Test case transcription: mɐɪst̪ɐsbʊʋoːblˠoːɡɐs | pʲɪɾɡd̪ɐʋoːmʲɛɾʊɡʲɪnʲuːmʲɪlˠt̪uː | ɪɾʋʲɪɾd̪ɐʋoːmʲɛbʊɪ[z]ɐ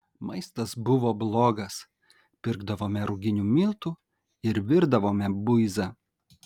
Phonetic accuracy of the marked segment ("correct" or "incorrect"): correct